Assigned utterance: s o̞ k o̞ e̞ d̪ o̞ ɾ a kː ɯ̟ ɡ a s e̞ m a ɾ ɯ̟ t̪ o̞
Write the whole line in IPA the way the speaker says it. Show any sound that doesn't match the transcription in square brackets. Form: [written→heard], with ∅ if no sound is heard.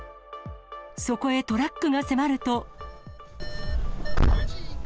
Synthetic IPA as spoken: s o̞ k o̞ e̞ [d̪→t̪] o̞ ɾ a kː ɯ̟ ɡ a s e̞ m a ɾ ɯ̟ t̪ o̞